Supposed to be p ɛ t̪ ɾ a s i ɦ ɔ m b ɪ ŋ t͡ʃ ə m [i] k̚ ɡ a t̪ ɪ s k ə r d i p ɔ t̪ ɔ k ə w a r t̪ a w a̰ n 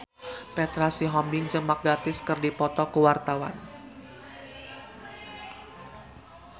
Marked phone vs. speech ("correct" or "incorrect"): incorrect